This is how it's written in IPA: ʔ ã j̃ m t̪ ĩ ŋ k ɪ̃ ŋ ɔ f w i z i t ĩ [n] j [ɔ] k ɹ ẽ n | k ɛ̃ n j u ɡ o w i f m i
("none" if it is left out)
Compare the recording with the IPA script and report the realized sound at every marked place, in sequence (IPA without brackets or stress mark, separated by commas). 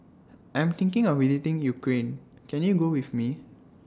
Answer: ŋ, u